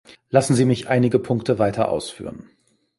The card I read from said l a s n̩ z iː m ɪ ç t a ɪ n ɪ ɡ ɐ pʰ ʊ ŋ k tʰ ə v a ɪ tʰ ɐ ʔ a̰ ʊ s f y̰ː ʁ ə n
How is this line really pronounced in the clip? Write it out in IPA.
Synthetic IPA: l a s n̩ z iː m ɪ ç ʔ a ɪ n ɪ ɡ ə pʰ ʊ ŋ k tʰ ə v a ɪ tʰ ɐ ʔ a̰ ʊ s f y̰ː ʁ ə n